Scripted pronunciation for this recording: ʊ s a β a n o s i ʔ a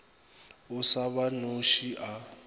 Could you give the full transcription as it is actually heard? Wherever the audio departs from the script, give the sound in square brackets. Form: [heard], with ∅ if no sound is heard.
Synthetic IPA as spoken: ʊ s a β a n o [ʃ] i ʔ a